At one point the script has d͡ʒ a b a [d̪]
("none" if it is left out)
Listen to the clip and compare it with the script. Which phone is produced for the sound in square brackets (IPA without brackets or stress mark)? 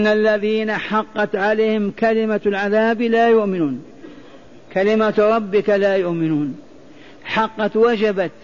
t̪